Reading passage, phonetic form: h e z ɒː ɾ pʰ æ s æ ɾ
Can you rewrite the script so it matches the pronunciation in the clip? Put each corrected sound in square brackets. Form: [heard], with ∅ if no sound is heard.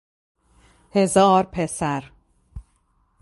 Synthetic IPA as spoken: h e z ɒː ɾ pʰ [e] s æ ɾ